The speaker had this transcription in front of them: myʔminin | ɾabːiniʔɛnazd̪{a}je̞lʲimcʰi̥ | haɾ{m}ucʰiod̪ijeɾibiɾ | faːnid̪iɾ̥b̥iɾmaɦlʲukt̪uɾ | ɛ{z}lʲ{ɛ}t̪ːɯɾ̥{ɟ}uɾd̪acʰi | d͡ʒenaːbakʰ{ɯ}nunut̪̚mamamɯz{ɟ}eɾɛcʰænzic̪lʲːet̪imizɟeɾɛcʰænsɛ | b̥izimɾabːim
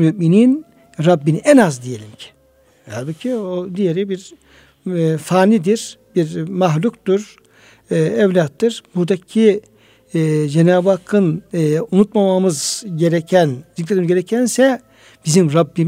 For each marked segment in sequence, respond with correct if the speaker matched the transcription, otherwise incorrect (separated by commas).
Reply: incorrect, incorrect, incorrect, incorrect, incorrect, correct, correct